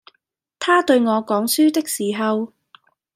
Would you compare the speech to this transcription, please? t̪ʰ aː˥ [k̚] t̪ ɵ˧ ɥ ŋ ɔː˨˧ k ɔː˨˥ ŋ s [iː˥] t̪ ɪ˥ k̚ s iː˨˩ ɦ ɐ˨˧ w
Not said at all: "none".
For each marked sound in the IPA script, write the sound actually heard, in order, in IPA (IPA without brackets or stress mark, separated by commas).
none, yː˥